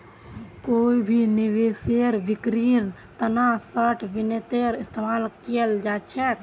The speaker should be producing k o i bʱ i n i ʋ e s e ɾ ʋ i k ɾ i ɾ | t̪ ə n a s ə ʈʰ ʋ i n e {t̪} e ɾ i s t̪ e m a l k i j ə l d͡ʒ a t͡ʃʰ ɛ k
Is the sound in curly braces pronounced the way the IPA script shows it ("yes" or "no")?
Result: yes